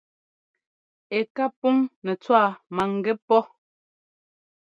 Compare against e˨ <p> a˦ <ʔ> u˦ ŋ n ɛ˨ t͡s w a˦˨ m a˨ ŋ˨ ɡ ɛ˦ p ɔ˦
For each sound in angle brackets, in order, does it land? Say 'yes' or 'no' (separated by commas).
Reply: no, no